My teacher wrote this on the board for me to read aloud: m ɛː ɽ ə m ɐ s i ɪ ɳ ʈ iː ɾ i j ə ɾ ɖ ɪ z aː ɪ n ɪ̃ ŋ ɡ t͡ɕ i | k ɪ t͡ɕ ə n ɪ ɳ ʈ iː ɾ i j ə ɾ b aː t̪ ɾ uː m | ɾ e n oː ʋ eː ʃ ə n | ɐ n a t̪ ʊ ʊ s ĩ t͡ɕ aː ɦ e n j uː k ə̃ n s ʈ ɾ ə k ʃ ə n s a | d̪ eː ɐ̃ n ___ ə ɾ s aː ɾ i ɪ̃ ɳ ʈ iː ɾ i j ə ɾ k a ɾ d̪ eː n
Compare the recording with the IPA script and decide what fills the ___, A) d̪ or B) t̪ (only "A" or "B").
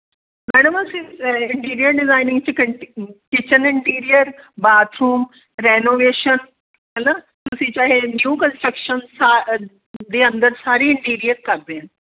A